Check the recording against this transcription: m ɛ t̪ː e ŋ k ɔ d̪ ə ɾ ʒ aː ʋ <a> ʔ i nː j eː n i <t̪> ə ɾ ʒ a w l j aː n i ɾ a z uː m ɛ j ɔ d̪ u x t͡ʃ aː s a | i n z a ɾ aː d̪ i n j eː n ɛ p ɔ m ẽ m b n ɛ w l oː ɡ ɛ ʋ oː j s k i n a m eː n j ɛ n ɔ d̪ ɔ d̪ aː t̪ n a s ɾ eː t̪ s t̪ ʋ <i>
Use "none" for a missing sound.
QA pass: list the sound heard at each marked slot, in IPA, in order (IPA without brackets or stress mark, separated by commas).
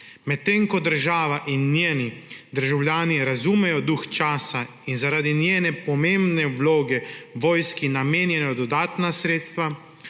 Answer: a, d̪, a